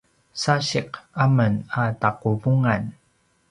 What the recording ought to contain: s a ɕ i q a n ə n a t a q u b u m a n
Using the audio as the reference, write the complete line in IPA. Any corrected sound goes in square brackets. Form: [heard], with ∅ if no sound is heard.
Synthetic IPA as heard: s a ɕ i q a [m] ə n a t a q u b u [ŋ] a n